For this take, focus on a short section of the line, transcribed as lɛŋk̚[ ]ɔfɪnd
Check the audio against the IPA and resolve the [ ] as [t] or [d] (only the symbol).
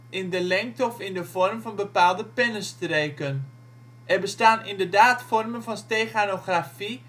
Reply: t